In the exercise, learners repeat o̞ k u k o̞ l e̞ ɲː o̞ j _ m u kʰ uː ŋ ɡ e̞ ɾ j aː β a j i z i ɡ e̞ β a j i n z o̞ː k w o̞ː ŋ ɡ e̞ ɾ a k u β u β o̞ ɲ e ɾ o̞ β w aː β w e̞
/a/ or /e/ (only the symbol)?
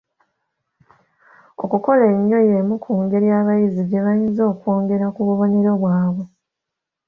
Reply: e